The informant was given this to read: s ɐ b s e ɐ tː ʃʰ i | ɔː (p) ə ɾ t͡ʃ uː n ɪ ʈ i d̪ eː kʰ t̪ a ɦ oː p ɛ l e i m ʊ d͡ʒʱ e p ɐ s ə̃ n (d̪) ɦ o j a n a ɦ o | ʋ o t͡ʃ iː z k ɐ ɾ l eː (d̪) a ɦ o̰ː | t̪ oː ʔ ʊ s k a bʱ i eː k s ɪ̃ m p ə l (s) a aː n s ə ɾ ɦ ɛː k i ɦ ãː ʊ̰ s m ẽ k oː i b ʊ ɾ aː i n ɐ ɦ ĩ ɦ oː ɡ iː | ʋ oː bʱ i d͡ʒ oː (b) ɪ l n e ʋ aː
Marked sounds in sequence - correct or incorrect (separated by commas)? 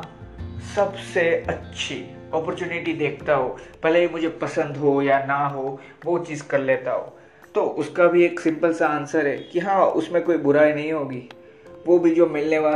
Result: correct, correct, incorrect, correct, incorrect